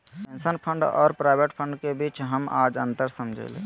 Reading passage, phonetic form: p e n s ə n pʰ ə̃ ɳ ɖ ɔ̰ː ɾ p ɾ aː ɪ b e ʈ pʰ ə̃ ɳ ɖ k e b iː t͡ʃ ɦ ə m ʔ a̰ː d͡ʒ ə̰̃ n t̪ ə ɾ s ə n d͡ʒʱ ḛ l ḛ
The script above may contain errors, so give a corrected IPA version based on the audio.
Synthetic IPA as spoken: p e n s ə n pʰ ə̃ ɳ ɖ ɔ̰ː ɾ p ɾ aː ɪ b e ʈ pʰ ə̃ ɳ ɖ k e b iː t͡ʃ ɦ ə m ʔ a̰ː d͡ʒ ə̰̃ n t̪ ə ɾ s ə m d͡ʒʱ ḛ l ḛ

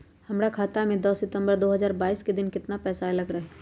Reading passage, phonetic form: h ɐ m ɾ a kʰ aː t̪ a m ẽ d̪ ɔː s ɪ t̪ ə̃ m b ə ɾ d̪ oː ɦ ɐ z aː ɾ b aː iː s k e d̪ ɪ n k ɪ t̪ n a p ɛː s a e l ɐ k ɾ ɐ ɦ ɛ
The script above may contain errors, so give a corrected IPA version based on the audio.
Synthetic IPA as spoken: h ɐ m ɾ a kʰ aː t̪ a m ẽ d̪ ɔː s ɪ t̪ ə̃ m b ə ɾ d̪ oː ɦ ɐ z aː ɾ b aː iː s k e d̪ ɪ n k ɪ t̪ n a p ɛː s a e l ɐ ɡ ɾ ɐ ɦ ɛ

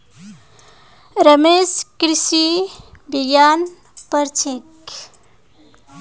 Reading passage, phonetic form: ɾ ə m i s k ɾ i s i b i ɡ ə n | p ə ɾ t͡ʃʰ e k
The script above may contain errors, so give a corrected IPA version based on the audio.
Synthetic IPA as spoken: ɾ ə m e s k ɾ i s i b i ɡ a n | p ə ɾ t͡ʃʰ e k

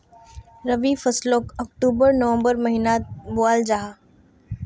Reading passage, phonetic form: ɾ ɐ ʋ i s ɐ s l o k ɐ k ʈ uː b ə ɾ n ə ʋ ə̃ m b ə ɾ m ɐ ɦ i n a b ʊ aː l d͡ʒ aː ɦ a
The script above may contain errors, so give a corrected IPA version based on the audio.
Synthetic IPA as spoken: ɾ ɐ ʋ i f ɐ s l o k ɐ k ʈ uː b ə ɾ n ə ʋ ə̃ m b ə ɾ m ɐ ɦ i n a b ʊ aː l d͡ʒ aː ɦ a

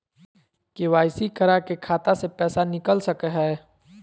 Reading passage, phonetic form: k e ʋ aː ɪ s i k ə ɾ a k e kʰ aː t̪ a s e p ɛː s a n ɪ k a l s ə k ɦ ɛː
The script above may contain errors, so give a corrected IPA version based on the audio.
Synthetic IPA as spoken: k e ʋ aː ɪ s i k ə ɾ a k e kʰ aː t̪ a s e p ɛː s a n ɪ k ə l s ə k ɦ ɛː

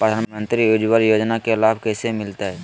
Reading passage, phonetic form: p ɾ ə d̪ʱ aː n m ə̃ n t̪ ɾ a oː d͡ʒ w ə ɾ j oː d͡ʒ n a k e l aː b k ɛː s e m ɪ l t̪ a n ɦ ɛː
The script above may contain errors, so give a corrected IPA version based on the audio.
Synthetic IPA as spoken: p ɾ ə d̪ʱ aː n m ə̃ n t̪ ɾ i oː d͡ʒ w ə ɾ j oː d͡ʒ n a k e l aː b k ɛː s e m ɪ l t̪ a ɦ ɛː

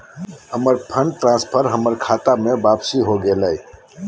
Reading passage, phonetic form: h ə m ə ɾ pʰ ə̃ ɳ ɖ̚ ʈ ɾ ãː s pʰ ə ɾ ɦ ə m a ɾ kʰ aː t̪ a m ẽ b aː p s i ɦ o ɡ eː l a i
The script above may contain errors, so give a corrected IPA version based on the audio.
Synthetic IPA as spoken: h ə m ə ɾ pʰ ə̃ ɳ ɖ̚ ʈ ɾ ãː s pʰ ə ɾ ɦ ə m ə ɾ kʰ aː t̪ a m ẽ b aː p s i ɦ o ɡ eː l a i

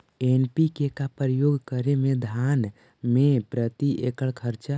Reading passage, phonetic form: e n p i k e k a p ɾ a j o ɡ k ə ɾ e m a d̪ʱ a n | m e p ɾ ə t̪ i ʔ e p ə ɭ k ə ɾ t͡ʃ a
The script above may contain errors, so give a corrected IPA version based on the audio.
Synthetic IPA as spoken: e n p i k e k a p ɾ ə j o ɡ k ə ɾ e m e d̪ʱ a n | m e p ɾ ə t̪ i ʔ e k ə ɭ kʰ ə ɾ t͡ʃ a

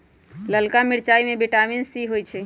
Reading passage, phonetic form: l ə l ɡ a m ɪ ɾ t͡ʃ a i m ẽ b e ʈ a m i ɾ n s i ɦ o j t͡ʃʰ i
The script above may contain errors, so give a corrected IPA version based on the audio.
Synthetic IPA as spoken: l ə l k a m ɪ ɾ t͡ʃ a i m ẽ b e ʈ a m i n s i ɦ o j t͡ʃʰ ɛ

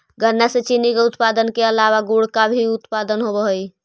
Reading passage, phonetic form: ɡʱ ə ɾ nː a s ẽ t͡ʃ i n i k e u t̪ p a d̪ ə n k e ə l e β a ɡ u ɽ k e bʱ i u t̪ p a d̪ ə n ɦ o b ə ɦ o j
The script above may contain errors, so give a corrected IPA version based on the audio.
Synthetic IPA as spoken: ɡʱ ə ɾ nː a s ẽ t͡ʃ i n i k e u t̪ p a d̪ ə n k e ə l a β a ɡ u ɽ k a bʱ i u t̪ p a d̪ ə n ɦ o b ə ɦ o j

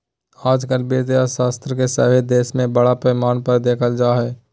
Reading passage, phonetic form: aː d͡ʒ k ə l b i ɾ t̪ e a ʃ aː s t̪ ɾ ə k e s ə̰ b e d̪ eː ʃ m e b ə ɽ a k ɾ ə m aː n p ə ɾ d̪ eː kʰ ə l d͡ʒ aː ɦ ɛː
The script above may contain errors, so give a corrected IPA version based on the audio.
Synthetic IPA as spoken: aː d͡ʒ k ə l b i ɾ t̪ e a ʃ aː s t̪ ɾ ə k e s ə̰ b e d̪ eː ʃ m ẽ b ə ɽ a p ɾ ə m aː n p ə ɾ d̪ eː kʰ ə l d͡ʒ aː ɦ ɛː

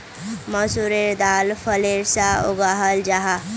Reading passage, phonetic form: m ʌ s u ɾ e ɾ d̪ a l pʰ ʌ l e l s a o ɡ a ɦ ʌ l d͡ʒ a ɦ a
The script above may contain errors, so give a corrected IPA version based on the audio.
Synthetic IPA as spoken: m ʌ s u ɾ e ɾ d̪ a l pʰ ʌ l e ɾ s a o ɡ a ɦ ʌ l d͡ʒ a ɦ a

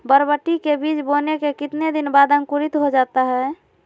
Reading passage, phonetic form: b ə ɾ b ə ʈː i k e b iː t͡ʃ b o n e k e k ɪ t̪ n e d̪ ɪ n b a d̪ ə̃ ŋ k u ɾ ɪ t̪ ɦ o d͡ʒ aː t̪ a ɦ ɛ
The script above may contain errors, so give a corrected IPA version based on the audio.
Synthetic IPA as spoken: b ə ɾ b ə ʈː i k e b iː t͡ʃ b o n e k e k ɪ t̪ n e d̪ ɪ n b a d̪ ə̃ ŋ k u ɾ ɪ t̪ ɦ o d͡ʒ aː t̪ a ɦ ɛ

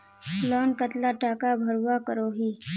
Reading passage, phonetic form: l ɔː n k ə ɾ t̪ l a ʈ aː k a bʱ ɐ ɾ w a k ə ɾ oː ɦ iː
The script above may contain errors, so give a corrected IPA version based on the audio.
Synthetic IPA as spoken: l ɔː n k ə t̪ l a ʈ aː k a bʱ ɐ ɾ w a k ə ɾ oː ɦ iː

